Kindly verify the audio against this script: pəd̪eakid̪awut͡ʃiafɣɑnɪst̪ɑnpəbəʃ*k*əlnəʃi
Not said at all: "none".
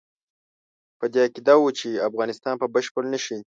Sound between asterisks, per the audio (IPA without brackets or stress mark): p